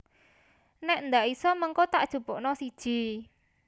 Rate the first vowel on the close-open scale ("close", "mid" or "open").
mid